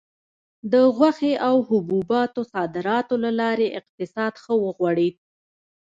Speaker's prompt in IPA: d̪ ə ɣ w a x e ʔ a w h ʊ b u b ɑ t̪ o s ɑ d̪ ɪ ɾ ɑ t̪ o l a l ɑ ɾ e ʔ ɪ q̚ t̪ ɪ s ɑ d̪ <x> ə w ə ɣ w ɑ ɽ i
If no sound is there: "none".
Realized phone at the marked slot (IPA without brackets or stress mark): x